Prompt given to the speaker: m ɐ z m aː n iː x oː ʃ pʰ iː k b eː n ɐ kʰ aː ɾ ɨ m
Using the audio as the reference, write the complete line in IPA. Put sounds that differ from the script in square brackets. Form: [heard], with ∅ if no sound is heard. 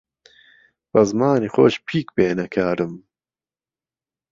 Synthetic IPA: [b] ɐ z m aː n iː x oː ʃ pʰ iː k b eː n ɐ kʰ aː ɾ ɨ m

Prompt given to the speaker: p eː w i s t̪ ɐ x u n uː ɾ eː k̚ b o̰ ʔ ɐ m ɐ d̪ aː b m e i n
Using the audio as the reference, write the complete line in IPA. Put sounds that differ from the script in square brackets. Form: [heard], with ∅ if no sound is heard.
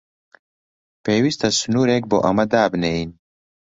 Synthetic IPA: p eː w i s t̪ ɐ [s] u n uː ɾ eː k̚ b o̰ ʔ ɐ m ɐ d̪ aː b [n] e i n

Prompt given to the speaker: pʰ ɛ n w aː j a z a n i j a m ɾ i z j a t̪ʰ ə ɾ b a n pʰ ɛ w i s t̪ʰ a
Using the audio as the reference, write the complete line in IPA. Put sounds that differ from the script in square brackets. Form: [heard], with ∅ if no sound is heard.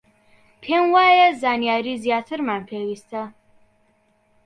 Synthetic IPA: pʰ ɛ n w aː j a z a n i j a [∅] ɾ i z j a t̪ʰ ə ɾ [m] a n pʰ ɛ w i s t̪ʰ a

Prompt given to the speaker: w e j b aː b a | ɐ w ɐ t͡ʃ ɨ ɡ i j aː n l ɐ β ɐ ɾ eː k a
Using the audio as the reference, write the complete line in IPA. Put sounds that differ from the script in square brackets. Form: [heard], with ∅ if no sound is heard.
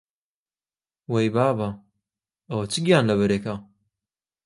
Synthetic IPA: w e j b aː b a | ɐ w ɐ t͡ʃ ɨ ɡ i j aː n l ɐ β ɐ ɾ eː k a

